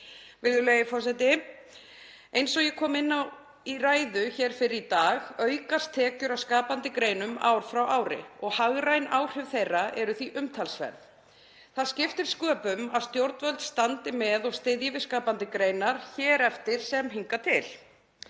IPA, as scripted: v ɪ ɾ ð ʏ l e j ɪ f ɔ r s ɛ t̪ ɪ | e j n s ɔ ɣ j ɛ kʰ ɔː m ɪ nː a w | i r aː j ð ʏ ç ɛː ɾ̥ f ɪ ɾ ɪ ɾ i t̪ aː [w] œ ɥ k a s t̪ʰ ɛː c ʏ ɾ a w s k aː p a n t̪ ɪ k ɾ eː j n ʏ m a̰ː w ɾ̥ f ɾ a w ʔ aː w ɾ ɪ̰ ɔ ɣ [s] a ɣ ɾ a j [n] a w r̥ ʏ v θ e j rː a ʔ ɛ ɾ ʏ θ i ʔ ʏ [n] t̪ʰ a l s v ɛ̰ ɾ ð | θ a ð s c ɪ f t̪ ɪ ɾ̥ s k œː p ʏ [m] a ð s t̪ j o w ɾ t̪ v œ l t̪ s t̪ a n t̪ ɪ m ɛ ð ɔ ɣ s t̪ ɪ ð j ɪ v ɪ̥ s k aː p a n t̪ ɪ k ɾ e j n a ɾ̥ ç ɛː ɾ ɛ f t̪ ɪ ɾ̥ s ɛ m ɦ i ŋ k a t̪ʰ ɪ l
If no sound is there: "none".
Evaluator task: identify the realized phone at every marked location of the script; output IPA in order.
ɣ, h, n, m, m

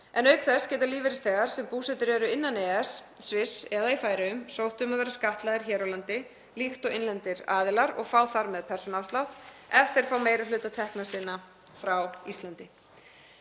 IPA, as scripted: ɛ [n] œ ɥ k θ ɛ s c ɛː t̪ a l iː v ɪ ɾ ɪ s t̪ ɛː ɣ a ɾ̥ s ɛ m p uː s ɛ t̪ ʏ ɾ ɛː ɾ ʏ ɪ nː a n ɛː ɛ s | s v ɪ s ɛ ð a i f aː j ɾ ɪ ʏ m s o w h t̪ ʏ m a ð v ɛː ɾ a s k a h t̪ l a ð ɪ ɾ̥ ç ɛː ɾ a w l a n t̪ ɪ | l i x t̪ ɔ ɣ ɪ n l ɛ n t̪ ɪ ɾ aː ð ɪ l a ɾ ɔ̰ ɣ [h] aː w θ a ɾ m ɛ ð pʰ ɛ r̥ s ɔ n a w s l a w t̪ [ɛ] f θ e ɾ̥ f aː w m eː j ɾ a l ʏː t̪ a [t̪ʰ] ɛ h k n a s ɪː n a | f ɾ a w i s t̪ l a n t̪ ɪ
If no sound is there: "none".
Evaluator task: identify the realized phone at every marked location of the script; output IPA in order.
n, f, ɛ, t̪ʰ

